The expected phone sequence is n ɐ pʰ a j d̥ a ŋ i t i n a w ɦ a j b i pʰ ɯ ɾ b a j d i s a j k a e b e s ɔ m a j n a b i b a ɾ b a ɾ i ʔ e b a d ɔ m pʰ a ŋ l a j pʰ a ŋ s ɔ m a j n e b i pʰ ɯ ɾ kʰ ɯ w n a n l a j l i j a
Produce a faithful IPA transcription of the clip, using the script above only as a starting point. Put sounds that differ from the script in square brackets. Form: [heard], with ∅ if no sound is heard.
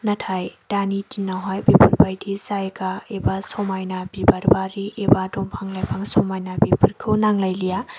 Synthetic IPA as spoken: n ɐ [tʰ] a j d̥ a [n] i t i n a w ɦ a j b i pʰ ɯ ɾ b a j d i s a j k a e b [a] s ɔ m a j n a b i b a ɾ b a ɾ i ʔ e b a d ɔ m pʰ a ŋ l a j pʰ a ŋ s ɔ m a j n [a] b i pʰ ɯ ɾ kʰ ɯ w n a [ŋ] l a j l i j a

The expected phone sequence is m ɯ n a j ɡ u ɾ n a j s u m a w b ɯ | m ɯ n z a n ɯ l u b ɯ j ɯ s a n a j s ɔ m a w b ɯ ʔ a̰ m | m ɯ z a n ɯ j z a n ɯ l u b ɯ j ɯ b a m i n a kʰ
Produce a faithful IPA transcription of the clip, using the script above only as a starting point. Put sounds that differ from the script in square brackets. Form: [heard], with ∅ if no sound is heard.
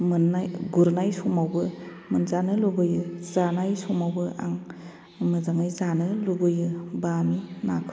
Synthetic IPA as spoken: m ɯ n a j ɡ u ɾ n a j s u m a w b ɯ | m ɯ n z a n ɯ l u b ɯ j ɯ [z] a n a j s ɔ m a w b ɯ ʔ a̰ [ŋ] | m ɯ z a [ŋ] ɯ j z a n ɯ l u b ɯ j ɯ b a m i n a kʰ

